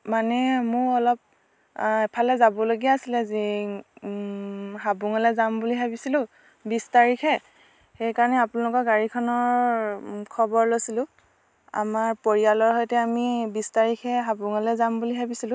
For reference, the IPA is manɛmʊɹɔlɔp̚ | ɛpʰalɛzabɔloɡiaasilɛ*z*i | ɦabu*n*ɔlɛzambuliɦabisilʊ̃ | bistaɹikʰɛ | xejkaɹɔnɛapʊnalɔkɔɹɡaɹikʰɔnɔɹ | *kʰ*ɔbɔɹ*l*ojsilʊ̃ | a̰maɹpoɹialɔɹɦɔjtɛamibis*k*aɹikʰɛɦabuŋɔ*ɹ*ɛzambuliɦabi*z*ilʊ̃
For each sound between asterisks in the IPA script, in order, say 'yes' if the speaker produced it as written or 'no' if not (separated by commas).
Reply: yes, no, yes, yes, no, no, no